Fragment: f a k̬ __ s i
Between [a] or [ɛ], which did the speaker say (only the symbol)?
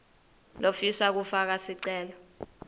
a